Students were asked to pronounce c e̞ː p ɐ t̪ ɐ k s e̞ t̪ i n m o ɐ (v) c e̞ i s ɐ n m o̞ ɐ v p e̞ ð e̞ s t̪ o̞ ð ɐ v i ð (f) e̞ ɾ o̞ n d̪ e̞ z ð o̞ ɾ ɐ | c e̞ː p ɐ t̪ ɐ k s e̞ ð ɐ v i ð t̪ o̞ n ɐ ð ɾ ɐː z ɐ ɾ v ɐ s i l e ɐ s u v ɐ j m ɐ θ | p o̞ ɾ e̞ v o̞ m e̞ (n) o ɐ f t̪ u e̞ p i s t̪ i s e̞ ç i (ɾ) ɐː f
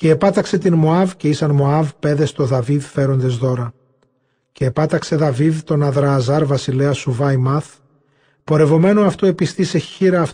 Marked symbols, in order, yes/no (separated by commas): yes, yes, yes, yes